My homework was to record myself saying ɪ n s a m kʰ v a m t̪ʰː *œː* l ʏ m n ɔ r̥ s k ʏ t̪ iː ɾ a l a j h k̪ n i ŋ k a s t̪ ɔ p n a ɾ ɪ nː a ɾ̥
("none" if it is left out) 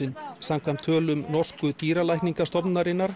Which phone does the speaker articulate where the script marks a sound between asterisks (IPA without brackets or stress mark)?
œː